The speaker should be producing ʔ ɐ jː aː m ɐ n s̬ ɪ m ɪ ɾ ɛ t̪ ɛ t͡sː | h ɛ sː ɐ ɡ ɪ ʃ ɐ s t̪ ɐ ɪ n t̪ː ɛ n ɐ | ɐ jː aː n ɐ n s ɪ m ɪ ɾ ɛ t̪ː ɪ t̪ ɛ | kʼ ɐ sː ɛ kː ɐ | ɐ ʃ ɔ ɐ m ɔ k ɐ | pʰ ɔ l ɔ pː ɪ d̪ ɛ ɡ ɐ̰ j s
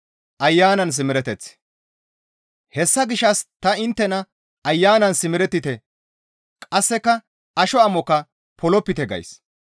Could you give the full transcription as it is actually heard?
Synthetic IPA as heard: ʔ ɐ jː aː n ɐ n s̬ ɪ m ɪ ɾ ɛ t̪ ɛ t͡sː | h ɛ sː ɐ ɡ ɪ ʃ ɐ s t̪ ɐ ɪ n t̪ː ɛ n ɐ | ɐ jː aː n ɐ n s ɪ m ɪ ɾ ɛ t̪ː ɪ t̪ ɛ | kʼ ɐ sː ɛ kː ɐ | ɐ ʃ ɔ ɐ m ɔ k ɐ | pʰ ɔ l ɔ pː ɪ t̪ ɛ ɡ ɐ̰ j s